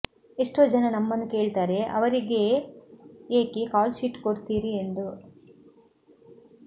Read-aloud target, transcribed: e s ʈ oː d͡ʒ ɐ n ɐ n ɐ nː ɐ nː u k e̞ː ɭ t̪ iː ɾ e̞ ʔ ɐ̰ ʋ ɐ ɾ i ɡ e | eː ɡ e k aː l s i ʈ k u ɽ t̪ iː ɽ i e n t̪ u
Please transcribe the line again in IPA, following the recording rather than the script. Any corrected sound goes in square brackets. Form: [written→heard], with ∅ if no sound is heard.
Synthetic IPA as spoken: e [s→ʂ] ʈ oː d͡ʒ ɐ n ɐ n ɐ [nː→mː] ɐ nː u k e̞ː ɭ t̪ [iː→aː] ɾ e̞ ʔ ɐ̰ ʋ ɐ ɾ i ɡ e | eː [ɡ→k] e k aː l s i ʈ k [u→o] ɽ t̪ iː [ɽ→ɾ] i e n [t̪→d̪] u